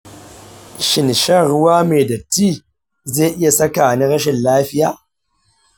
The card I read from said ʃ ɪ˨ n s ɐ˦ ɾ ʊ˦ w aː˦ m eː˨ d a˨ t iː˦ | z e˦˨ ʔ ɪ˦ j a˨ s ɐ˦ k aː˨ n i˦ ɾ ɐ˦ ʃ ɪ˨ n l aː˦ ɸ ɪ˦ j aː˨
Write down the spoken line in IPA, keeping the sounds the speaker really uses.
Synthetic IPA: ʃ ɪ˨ n ʃ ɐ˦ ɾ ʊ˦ w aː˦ m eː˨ d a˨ t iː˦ | z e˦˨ ʔ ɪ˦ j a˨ s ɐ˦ k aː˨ n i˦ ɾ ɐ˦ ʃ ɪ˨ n l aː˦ ɸ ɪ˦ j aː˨